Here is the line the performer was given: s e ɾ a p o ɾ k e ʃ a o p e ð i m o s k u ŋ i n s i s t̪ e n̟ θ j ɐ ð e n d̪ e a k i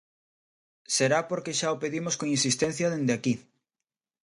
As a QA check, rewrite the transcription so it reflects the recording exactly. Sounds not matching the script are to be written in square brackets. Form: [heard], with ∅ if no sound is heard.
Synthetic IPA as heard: s e ɾ a p o ɾ k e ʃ a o p e ð i m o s k [o] ŋ i n s i s t̪ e n̟ θ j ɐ ð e n d̪ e a k i